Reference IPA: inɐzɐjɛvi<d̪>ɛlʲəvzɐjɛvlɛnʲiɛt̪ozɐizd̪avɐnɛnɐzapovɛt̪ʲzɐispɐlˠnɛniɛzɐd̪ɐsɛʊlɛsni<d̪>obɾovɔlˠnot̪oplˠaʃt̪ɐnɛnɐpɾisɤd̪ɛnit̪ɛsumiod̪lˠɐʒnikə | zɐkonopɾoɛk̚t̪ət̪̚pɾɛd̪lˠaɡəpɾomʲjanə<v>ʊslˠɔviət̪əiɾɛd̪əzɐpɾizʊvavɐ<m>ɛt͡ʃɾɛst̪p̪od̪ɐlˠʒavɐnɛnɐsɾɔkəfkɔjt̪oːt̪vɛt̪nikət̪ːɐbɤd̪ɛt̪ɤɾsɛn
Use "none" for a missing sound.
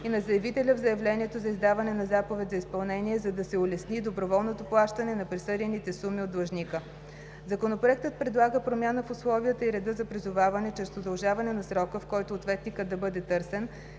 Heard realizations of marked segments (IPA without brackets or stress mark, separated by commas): t̪, d̪, f, n